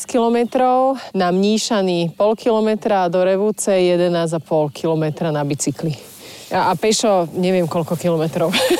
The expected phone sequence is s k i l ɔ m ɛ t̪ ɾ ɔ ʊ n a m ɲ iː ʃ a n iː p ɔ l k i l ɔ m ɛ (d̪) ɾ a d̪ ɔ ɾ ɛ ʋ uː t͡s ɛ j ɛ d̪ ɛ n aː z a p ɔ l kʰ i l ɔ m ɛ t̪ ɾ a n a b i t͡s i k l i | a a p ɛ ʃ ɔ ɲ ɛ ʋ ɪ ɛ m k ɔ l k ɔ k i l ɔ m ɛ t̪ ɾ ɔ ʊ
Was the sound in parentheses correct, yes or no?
no